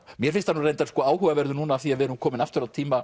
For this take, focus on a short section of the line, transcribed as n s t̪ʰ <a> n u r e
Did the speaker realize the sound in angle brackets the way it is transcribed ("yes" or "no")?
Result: yes